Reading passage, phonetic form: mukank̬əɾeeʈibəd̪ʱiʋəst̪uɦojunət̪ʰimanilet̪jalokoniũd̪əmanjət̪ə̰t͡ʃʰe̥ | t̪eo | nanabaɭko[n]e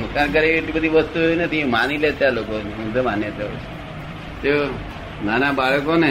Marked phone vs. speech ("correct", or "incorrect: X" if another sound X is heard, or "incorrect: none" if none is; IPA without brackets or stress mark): correct